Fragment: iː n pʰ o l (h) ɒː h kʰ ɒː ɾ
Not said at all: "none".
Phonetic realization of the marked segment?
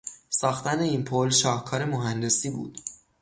ʃ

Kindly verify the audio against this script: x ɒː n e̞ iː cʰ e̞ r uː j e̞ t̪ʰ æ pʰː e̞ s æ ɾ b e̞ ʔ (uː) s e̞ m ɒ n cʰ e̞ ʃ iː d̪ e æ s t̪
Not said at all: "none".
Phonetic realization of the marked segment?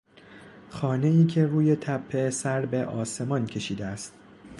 ɒː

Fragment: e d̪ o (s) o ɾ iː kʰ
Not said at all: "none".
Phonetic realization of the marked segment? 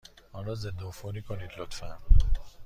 f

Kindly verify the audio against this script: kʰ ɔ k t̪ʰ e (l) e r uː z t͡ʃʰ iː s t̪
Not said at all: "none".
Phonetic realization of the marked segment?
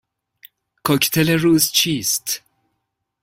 l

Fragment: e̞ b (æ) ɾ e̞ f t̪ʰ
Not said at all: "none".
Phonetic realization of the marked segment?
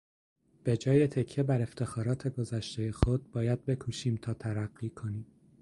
æ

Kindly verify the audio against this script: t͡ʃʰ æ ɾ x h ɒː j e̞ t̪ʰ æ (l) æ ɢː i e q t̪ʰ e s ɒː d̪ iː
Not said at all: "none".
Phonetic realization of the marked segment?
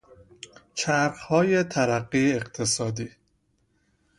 ɾ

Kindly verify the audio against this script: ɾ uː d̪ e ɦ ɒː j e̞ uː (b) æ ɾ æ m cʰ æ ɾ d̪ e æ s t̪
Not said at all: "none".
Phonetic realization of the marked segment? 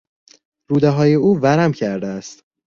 v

